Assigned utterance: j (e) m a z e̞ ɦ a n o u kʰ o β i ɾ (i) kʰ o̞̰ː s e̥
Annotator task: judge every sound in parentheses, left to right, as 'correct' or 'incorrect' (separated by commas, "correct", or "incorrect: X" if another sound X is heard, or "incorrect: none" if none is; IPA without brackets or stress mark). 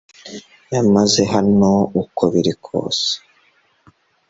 incorrect: a, correct